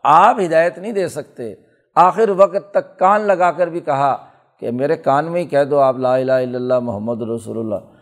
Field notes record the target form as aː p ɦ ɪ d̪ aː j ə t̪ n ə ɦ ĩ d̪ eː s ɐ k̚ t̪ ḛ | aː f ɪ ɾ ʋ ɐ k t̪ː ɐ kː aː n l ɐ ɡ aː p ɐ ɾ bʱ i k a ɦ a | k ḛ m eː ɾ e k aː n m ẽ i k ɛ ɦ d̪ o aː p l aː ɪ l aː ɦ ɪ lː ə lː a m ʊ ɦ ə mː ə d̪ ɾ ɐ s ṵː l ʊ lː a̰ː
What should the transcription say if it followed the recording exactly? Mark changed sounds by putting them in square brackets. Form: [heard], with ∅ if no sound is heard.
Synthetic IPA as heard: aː p ɦ ɪ d̪ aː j ə t̪ n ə ɦ ĩ d̪ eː s ɐ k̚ t̪ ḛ | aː [x] ɪ ɾ ʋ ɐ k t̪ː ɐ kː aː n l ɐ ɡ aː [k] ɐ ɾ bʱ i k [ɐ] ɦ a | k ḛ m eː ɾ e k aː n m ẽ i k ɛ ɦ d̪ o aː p l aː ɪ l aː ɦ ɪ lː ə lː a m ʊ ɦ ə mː ə d̪ ɾ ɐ s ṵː l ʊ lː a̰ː